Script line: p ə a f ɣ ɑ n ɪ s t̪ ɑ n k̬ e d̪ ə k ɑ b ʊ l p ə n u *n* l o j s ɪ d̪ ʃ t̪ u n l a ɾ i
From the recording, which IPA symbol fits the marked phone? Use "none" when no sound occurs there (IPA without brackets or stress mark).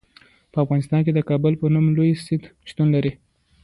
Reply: m